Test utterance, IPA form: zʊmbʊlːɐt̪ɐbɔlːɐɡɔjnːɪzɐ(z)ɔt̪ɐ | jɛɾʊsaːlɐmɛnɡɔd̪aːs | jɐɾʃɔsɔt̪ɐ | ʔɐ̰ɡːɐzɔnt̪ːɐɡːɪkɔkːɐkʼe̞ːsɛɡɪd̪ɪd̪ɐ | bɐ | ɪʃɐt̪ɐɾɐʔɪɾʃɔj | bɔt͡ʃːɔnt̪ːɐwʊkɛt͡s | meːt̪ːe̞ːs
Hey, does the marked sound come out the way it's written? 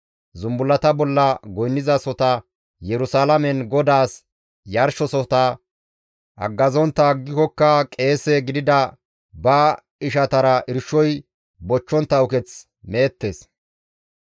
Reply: no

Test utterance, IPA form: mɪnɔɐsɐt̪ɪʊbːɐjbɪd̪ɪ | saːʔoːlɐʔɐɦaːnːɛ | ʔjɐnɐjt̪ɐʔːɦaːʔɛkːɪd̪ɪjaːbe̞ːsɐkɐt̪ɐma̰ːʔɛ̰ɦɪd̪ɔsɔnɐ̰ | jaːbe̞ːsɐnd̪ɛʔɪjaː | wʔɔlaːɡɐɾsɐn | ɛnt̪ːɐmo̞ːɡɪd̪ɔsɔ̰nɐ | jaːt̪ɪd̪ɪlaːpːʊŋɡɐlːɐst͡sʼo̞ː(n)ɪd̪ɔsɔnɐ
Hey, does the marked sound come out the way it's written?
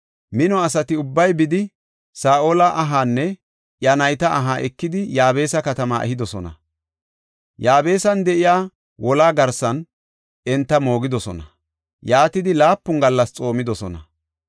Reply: no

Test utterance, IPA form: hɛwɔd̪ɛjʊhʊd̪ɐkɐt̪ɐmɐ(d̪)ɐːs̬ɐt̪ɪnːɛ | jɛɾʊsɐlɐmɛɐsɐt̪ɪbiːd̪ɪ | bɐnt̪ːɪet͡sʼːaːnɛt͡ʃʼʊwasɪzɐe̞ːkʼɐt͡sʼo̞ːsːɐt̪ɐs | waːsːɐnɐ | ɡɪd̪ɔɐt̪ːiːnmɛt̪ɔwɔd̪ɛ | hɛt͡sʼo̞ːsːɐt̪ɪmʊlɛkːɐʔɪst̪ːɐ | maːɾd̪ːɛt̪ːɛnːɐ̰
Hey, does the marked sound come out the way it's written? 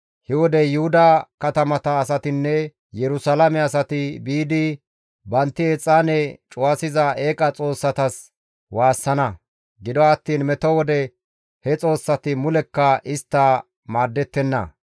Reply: no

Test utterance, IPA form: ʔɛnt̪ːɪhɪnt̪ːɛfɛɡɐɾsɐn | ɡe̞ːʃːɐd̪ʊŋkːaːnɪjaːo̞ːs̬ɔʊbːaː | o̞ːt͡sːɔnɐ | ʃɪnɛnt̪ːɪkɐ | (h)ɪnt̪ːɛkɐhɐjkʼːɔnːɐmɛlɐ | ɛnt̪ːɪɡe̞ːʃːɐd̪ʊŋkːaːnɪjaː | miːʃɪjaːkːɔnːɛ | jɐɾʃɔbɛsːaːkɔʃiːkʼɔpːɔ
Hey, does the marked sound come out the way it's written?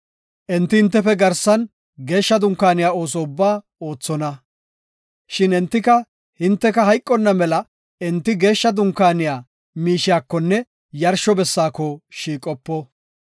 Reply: yes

